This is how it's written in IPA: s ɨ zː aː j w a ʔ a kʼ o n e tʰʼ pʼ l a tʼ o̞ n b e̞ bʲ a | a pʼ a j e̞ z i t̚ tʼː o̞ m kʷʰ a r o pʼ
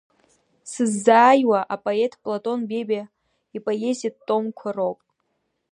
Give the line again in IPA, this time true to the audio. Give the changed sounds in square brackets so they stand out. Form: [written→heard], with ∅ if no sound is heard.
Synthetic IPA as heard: s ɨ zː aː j w a ʔ a [kʼ→pʼ] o [n→∅] e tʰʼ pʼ l a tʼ o̞ n b e̞ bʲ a | [a→i] pʼ a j e̞ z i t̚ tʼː o̞ m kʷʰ a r o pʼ